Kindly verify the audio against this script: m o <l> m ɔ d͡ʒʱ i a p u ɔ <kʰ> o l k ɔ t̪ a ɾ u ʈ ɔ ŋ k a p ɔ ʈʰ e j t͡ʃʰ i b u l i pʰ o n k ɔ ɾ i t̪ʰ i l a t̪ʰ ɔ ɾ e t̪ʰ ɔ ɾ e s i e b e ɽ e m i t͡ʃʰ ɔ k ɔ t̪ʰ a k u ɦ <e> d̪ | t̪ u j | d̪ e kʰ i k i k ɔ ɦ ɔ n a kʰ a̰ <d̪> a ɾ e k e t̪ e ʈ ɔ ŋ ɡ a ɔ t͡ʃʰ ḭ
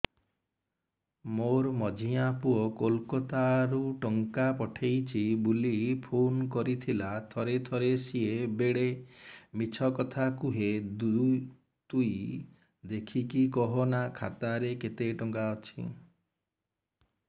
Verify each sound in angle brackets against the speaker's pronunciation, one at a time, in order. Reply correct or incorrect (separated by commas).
incorrect, incorrect, correct, incorrect